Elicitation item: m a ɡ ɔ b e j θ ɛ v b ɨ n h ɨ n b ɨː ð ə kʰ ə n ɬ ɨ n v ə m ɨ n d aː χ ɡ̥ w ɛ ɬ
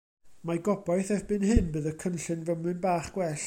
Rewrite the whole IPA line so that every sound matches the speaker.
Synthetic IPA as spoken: m a ɡ ɔ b a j θ ɛ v b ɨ n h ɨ n b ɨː ð ə kʰ ə n ɬ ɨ n v ə m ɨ n b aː χ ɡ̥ w ɛ ɬ